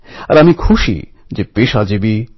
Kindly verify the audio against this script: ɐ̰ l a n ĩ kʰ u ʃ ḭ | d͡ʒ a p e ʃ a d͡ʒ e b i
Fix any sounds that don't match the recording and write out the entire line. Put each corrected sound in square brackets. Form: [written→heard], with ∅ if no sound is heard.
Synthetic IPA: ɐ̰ [l→ɾ] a [n→m] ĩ kʰ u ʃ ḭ | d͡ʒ [a→e] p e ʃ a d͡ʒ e b i